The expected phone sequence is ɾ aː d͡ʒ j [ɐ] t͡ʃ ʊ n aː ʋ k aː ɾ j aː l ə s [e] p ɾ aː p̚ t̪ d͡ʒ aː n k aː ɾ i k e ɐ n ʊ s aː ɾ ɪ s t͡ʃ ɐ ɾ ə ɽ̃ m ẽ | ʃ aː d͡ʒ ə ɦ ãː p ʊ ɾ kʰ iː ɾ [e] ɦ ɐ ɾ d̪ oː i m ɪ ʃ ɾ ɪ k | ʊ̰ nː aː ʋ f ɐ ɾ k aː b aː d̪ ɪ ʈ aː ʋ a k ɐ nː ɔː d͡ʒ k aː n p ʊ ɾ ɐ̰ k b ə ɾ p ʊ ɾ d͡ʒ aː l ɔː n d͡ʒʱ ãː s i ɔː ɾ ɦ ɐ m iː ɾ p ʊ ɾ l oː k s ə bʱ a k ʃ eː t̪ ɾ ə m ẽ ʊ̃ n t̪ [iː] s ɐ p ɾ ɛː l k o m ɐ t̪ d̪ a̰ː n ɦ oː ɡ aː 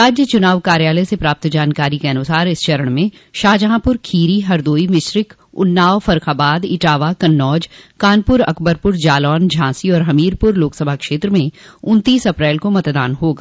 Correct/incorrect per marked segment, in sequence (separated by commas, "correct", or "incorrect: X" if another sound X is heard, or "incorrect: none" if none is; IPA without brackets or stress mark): incorrect: ə, correct, incorrect: i, correct